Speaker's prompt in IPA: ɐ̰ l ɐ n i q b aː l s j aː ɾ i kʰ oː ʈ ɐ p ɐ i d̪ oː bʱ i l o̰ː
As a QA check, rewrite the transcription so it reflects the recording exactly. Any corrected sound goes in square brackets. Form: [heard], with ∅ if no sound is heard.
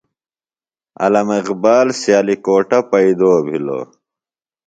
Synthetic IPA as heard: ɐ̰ l ɐ [m] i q b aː l s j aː [l] i [k] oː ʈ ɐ p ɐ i d̪ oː bʱ i l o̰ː

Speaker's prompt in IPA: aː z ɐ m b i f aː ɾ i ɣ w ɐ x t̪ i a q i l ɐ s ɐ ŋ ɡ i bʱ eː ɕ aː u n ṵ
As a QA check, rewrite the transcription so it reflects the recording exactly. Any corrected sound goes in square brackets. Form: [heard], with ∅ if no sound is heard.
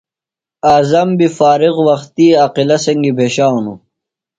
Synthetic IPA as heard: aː z ɐ m b i f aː ɾ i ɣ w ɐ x t̪ i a q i l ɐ s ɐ ŋ ɡ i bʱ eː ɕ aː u n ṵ

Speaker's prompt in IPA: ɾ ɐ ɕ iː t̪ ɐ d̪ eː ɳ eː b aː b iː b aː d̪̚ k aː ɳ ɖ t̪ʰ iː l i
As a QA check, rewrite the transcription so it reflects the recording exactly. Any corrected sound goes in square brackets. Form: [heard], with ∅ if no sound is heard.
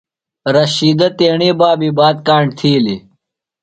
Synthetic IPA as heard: ɾ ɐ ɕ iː [d̪] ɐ [t̪] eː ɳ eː b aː b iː b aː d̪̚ k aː ɳ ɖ t̪ʰ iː l i

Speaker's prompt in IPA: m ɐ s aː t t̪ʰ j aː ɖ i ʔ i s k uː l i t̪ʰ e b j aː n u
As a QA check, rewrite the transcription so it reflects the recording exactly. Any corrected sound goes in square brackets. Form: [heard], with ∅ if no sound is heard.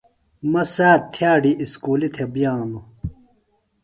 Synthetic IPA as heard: m ɐ s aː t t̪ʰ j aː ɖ i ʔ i s k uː l i t̪ʰ e b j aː n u

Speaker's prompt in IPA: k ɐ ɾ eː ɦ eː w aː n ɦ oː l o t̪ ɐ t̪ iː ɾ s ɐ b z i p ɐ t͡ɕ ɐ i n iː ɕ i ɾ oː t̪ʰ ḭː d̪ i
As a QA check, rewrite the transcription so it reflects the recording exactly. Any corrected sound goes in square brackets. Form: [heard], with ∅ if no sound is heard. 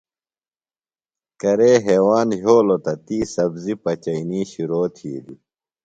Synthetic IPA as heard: k ɐ ɾ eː ɦ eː w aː n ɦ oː l o t̪ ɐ t̪ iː [∅] s ɐ b z i p ɐ t͡ɕ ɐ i n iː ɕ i ɾ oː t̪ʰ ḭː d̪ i

